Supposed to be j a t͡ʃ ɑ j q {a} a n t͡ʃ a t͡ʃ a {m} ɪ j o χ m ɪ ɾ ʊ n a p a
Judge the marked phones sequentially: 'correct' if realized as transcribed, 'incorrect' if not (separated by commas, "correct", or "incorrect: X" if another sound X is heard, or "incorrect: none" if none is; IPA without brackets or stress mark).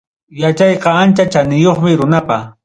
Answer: incorrect: ɑ, incorrect: n